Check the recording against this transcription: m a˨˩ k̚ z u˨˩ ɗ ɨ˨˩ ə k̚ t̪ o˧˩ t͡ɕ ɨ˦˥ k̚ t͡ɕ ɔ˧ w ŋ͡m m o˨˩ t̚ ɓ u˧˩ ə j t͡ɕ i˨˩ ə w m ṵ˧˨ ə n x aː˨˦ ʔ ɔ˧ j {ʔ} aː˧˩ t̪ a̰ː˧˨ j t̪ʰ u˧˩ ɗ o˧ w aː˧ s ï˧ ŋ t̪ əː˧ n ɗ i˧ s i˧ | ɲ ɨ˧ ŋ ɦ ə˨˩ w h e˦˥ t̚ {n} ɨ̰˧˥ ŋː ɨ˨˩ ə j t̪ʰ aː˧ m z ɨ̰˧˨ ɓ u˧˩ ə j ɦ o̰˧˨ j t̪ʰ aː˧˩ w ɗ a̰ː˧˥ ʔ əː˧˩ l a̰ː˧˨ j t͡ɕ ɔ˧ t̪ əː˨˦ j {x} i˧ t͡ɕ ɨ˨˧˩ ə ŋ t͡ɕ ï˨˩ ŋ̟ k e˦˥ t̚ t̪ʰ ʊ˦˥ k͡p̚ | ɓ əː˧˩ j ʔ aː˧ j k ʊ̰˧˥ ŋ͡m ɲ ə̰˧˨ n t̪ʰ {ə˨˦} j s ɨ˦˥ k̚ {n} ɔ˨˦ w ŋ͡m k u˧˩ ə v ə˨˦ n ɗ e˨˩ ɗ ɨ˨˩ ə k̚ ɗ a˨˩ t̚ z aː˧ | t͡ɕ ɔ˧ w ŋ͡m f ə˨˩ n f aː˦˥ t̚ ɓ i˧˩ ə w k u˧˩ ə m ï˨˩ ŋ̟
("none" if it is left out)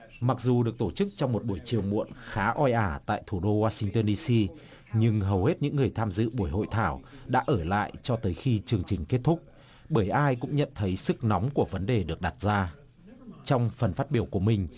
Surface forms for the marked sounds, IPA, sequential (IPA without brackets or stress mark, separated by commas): ʔ, ɲ, x, ə˨˦, n